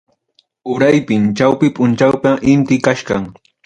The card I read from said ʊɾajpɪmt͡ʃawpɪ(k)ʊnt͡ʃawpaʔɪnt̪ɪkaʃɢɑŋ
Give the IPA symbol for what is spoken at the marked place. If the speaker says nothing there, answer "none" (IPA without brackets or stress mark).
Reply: p